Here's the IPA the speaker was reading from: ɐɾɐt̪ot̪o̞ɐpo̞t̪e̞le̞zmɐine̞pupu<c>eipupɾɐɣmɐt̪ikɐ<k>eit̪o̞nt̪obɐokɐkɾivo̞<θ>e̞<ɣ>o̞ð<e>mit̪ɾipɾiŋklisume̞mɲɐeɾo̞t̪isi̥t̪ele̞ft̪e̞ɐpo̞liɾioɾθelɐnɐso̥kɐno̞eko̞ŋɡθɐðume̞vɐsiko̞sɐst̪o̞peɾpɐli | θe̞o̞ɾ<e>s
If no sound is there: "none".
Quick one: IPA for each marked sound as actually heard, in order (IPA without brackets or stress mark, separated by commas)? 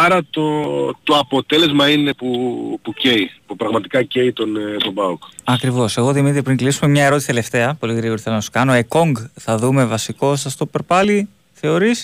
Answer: c, c, s, ɣ, i, i